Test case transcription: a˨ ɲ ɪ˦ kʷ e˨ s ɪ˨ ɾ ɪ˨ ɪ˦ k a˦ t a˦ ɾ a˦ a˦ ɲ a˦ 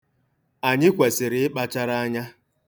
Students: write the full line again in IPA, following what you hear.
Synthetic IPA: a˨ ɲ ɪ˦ kʷ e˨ s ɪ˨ ɾ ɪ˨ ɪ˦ k͡p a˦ t͡ʃ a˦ ɾ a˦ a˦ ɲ a˦